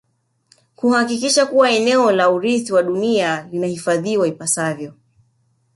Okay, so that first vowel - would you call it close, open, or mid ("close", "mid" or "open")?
close